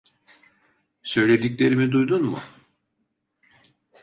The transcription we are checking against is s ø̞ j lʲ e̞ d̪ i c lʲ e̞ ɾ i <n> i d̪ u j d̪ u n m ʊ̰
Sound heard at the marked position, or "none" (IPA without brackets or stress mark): m